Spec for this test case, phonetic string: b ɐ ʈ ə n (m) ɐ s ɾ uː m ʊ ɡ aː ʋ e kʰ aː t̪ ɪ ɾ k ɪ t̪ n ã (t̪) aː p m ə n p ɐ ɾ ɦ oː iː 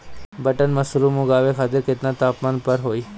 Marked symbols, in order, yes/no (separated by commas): yes, yes